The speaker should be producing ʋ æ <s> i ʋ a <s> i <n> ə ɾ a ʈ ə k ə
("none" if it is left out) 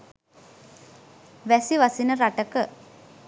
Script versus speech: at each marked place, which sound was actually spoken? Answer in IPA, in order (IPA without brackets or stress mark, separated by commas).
s, s, n